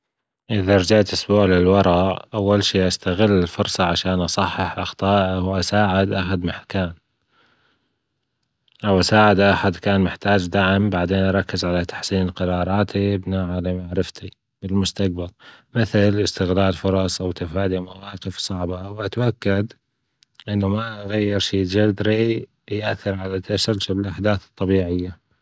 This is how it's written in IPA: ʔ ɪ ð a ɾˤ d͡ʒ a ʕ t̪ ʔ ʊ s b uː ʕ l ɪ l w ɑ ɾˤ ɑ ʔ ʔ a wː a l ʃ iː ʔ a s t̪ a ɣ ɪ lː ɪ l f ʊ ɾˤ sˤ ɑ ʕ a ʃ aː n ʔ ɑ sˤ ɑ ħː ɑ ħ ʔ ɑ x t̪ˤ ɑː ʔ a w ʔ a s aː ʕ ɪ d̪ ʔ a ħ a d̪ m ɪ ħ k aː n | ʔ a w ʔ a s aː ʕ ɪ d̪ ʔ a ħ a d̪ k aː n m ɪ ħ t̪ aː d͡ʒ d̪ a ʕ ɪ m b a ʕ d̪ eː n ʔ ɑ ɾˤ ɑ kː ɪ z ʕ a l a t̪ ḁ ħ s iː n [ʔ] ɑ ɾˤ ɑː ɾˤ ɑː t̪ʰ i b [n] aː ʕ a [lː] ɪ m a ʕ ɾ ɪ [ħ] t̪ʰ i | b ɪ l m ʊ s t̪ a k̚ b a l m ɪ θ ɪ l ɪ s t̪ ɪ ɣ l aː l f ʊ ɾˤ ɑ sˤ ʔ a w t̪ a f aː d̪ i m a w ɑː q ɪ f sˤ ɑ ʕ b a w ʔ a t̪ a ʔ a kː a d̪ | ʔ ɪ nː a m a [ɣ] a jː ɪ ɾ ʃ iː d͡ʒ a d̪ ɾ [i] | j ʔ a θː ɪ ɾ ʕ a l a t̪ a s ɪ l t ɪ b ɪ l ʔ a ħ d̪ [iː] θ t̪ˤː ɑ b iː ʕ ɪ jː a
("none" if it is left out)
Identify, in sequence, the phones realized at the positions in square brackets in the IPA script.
q, n, l, f, ɣ, i, aː

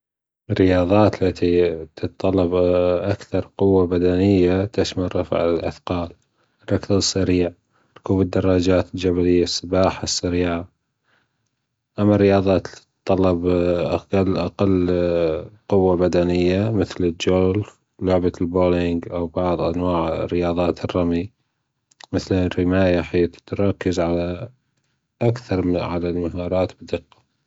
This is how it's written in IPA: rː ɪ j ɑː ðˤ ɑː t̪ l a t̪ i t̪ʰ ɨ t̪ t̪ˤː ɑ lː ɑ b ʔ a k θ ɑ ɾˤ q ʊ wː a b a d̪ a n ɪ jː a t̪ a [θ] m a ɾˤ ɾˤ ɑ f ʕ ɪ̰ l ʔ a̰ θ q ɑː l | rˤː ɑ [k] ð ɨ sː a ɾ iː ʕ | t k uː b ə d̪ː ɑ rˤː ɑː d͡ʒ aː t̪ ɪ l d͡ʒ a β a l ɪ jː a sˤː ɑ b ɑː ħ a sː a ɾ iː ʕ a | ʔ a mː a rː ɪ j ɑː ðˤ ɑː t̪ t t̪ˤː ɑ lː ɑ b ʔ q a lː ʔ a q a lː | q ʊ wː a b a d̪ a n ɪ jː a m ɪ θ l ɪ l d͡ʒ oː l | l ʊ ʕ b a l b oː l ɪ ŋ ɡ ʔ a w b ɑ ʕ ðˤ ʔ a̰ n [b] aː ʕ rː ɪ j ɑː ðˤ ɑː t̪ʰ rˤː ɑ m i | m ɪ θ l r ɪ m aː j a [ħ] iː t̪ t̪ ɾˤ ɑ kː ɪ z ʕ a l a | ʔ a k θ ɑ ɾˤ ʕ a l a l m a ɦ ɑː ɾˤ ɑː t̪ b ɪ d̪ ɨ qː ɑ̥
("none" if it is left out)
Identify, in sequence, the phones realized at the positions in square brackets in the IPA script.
ʃ, k, w, ħ

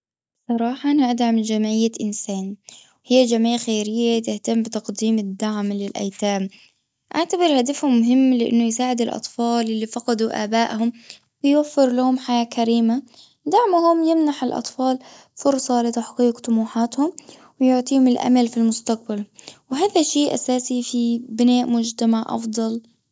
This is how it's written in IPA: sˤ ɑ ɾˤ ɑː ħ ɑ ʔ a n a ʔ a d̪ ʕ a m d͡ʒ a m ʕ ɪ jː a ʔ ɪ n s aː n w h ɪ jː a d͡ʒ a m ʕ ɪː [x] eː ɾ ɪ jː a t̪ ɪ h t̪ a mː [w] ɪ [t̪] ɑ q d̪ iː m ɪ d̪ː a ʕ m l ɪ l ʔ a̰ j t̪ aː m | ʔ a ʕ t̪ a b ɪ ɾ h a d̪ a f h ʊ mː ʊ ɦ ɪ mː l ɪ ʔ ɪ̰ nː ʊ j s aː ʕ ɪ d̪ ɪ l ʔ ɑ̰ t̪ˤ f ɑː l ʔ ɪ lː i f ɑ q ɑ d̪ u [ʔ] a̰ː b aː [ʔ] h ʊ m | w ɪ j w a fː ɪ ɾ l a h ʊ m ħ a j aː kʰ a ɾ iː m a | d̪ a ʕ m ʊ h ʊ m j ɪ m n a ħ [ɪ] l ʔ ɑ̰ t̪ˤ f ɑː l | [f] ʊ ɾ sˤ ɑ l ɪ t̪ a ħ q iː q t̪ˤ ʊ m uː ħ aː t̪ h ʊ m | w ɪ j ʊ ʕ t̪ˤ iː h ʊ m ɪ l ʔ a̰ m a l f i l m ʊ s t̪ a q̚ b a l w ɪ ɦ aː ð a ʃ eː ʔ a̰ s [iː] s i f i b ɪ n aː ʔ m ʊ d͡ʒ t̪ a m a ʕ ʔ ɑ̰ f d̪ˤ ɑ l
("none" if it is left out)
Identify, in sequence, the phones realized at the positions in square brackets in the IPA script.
x, b, t̪, ʔ, ʔ, ɪ, f, aː

